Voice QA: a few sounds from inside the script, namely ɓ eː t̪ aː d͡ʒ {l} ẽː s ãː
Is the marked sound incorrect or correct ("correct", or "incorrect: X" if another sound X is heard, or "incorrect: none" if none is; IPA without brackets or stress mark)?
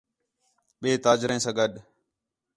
incorrect: ɾ